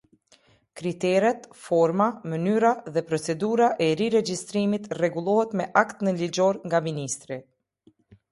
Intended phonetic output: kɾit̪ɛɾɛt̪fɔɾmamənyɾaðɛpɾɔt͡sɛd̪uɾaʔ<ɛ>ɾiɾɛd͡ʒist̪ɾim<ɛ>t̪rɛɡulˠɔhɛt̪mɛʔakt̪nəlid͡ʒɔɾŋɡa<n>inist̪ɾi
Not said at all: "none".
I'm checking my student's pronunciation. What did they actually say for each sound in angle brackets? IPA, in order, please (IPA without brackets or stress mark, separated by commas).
ɛ, i, m